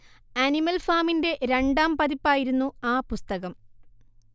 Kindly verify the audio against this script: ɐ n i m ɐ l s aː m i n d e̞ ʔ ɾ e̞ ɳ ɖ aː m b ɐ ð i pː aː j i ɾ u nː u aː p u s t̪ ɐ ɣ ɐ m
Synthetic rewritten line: ɐ n i m ɐ l f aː m i n d e̞ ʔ ɾ e̞ ɳ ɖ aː m p ɐ ð i pː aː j i ɾ u nː u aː p u s t̪ ɐ ɣ ɐ m